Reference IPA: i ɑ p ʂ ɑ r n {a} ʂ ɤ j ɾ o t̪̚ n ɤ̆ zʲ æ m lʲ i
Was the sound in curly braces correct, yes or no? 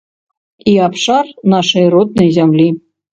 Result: no